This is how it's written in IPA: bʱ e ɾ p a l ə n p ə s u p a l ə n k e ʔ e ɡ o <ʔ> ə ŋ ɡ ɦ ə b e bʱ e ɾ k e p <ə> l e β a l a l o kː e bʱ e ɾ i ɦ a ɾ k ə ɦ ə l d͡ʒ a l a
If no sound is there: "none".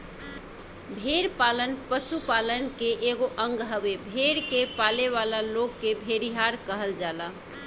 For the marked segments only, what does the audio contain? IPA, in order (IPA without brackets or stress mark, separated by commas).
ʔ, a